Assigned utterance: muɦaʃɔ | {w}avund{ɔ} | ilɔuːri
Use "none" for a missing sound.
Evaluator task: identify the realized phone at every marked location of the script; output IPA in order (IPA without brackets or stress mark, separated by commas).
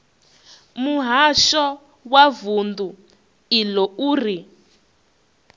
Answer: w, u